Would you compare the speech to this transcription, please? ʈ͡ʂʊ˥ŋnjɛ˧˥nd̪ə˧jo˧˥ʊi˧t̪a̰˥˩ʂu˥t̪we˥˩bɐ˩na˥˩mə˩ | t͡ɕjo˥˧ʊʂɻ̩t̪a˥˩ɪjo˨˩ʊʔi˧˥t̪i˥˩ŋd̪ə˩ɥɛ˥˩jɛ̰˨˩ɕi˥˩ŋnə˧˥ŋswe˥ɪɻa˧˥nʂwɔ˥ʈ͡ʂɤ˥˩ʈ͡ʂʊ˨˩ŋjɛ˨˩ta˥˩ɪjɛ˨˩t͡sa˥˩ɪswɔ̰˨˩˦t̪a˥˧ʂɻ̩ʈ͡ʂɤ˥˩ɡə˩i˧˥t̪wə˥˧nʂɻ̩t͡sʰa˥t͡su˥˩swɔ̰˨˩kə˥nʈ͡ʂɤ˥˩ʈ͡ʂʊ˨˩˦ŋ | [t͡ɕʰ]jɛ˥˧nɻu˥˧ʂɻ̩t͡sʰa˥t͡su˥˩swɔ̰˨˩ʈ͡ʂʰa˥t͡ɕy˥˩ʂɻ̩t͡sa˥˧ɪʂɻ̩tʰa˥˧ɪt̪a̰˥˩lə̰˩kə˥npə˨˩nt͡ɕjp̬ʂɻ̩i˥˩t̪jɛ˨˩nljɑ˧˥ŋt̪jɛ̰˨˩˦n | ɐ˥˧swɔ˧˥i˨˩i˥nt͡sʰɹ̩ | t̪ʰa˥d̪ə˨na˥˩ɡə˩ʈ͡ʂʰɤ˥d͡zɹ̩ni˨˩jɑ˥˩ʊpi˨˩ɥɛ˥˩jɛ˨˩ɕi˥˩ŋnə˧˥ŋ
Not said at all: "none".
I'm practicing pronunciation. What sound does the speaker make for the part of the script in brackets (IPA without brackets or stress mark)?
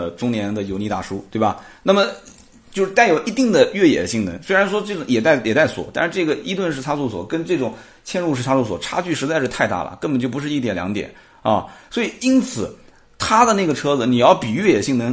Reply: t͡ɕʰ